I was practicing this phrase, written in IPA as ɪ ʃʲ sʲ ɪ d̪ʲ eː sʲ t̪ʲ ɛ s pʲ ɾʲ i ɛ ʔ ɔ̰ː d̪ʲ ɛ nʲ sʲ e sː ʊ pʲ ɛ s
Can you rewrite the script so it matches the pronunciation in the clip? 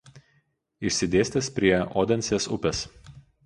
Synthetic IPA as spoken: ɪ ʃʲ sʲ ɪ d̪ʲ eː sʲ t̪ʲ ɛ s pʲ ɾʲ i ɛ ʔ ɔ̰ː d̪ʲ ɛ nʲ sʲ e s ʊ pʲ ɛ s